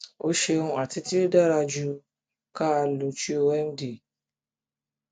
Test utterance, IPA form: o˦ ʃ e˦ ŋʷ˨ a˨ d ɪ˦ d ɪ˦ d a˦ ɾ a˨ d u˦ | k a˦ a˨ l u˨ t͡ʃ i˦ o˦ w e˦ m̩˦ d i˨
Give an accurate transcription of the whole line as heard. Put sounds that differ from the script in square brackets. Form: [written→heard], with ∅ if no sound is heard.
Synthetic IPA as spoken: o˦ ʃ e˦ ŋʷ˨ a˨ [d→t] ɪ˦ [d→t] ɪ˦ d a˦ ɾ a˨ [d→d͡ʒ] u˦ | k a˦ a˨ l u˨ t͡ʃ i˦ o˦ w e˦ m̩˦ d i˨

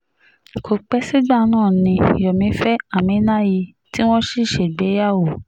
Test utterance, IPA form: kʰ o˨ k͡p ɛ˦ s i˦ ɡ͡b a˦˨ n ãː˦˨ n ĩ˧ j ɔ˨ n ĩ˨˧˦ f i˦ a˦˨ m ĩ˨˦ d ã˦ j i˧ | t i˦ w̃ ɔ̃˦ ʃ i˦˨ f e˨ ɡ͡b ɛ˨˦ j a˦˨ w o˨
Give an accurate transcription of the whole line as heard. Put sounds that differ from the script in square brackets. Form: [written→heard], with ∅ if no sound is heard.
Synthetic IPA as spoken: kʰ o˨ k͡p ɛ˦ s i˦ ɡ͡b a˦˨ n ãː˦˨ n ĩ˧ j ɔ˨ [n→m] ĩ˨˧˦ f [i˦→ɛ˦] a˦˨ m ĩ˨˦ [d→n] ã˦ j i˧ | t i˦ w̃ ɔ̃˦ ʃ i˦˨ [f→ʃ] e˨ ɡ͡b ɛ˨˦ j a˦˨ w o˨

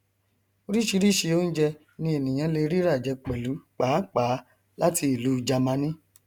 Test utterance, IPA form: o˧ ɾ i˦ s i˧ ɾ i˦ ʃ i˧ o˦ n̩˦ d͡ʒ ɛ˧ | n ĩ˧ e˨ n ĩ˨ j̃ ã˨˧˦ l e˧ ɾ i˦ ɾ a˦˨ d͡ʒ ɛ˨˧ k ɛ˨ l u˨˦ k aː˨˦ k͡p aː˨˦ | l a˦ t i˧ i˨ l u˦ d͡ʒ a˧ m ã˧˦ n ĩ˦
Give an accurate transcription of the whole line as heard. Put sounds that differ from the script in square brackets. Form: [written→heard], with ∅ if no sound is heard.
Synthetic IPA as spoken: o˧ ɾ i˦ [s→ʃ] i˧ ɾ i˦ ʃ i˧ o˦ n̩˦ d͡ʒ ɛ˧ | n ĩ˧ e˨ n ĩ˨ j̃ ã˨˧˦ l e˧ ɾ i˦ ɾ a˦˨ d͡ʒ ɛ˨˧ [k→k͡p] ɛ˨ l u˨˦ [k→k͡p] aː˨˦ k͡p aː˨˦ | l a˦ t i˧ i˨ l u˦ d͡ʒ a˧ m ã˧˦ n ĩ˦

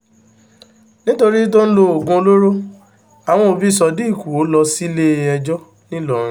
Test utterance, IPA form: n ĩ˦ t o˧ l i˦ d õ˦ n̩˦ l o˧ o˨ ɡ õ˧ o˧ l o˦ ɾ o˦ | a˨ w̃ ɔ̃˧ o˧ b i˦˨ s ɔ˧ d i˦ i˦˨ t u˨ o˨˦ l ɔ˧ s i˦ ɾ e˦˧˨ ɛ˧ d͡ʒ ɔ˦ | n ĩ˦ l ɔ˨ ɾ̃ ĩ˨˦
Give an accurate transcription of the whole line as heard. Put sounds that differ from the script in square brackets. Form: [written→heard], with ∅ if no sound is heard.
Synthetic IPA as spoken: n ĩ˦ t o˧ [l→ɾ] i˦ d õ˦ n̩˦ l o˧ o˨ ɡ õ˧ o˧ l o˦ ɾ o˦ | a˨ w̃ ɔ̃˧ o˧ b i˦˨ s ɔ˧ d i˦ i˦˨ [t→k] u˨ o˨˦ l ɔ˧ s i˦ [ɾ→l] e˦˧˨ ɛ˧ d͡ʒ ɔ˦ | n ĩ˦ l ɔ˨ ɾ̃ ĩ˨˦

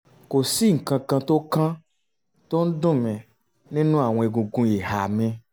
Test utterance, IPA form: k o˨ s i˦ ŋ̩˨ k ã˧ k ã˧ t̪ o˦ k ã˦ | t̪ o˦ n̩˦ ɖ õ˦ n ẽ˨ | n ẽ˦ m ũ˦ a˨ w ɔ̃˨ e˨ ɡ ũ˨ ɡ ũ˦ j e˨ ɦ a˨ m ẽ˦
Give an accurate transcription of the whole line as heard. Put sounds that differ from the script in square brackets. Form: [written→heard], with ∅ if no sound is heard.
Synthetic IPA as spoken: k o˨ s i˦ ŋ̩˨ k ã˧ k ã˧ t̪ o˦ k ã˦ | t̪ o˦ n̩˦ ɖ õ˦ [n→m] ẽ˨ | n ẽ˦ [m→n] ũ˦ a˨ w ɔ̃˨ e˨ ɡ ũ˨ ɡ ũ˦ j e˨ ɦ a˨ m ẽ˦

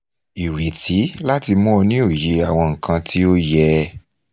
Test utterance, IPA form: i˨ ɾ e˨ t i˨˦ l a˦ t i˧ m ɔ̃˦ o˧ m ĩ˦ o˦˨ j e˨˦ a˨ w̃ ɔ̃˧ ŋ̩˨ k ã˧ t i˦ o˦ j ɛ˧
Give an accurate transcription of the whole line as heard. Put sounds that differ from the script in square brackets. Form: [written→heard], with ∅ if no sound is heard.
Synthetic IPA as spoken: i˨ ɾ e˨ t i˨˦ l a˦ t i˧ m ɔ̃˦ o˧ [m→n] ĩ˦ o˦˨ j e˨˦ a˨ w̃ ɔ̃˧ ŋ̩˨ k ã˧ t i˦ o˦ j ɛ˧

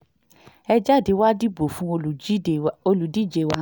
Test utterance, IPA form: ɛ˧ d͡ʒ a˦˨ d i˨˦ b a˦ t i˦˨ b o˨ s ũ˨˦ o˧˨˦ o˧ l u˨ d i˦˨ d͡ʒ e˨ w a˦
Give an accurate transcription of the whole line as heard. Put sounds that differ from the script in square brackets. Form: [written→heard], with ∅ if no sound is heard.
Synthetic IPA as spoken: ɛ˧ d͡ʒ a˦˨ d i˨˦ [b→w] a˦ [t→d] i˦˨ b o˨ [s→f] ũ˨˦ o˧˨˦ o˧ l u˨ d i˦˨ d͡ʒ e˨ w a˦

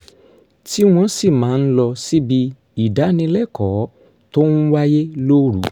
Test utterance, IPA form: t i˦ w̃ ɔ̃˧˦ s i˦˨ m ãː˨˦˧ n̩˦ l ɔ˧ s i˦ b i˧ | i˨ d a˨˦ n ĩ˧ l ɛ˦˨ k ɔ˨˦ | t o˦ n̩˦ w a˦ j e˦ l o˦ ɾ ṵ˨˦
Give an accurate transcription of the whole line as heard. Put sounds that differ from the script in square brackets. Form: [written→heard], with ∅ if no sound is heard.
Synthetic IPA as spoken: t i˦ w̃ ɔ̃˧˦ s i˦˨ m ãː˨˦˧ n̩˦ l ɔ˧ s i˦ b i˧ | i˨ d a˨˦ n ĩ˧ l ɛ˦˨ k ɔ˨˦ | t o˦ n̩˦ w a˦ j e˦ l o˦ ɾ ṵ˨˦

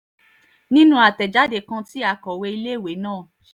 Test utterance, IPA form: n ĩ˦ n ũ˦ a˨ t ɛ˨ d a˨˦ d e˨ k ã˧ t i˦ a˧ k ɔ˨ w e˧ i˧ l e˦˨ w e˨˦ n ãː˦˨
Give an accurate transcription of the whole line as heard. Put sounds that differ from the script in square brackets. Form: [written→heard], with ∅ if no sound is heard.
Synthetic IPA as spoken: n ĩ˦ n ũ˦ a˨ t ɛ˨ [d→d͡ʒ] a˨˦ d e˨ k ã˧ t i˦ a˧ k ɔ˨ w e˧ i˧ l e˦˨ w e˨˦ n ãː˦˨

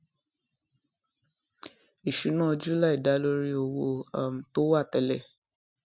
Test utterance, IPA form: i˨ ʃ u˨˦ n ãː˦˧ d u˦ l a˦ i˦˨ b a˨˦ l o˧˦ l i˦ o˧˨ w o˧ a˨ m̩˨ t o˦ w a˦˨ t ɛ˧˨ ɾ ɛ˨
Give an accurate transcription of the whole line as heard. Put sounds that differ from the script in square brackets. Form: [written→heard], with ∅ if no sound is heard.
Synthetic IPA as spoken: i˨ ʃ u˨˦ n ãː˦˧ [d→d͡ʒ] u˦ l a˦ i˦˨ [b→d] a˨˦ l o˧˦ [l→ɾ] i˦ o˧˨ w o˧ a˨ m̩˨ t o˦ w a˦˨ t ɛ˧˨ [ɾ→l] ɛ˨

